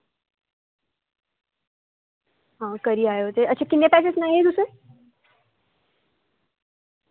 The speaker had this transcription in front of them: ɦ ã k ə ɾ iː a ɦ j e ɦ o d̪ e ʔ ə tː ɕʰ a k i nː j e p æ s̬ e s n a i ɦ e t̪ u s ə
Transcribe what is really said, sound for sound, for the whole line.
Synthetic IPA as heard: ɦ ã k ə ɾ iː a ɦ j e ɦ o t̪ e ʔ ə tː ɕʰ a k i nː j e p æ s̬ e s n a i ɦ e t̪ u s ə